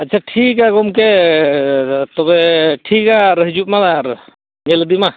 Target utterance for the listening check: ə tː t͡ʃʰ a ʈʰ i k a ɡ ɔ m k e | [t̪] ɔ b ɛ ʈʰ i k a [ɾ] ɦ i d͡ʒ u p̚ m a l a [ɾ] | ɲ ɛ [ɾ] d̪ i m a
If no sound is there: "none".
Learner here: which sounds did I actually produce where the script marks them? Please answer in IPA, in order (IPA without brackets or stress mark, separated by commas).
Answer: t̪, ɾ, ɾ, l